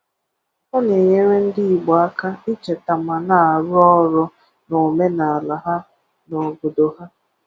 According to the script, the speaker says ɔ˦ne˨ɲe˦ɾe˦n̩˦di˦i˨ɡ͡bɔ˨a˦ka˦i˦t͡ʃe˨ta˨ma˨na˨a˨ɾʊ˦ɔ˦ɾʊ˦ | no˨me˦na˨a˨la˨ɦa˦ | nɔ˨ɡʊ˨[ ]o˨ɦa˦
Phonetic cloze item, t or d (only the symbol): d